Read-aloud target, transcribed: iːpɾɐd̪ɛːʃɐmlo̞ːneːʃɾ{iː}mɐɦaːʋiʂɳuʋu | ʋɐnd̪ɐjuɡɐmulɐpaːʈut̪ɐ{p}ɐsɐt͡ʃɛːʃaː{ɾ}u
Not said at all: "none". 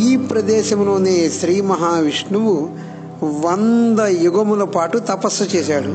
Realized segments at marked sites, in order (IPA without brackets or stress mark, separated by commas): iː, p, ɽ